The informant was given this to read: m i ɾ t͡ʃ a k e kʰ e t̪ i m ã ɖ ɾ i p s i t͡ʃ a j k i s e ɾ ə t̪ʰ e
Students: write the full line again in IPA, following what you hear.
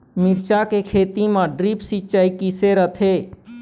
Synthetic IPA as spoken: m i ɾ t͡ʃ a k e kʰ e t̪ i m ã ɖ ɾ i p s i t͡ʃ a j k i s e ɾ ə t̪ʰ e